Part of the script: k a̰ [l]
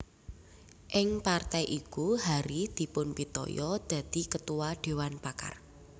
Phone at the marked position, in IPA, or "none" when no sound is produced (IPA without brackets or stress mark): r